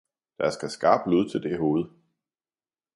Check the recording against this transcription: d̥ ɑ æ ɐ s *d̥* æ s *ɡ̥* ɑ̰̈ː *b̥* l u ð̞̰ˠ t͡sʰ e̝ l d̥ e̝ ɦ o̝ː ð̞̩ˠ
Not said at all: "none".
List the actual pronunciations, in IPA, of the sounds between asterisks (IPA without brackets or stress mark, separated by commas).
ɡ̥, ɡ̥, b̥